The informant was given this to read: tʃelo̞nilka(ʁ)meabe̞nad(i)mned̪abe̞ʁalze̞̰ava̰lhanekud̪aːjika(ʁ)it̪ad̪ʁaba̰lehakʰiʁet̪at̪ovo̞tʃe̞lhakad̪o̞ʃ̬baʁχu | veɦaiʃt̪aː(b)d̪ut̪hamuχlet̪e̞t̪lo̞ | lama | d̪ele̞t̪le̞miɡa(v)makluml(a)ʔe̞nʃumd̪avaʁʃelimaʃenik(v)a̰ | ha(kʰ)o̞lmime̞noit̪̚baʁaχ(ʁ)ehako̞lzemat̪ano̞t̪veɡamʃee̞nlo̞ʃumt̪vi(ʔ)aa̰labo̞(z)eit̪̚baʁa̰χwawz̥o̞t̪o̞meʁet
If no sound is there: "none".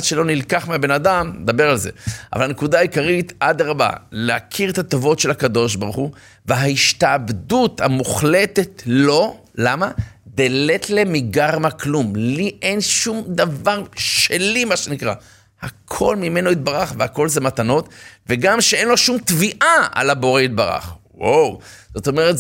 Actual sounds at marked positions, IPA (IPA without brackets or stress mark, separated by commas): χ, a, ʁ, b, ʁ, i, ʁ, kʰ, v, ʔ, ʁ